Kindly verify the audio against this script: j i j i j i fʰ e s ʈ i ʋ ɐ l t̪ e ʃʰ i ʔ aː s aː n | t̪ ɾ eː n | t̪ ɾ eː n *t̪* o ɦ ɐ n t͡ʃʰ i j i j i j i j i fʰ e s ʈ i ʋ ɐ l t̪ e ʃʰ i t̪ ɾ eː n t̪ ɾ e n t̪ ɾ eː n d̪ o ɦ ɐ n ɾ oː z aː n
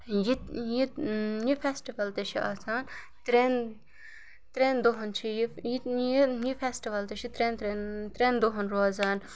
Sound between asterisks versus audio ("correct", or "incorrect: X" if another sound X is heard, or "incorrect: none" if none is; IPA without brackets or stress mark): incorrect: d̪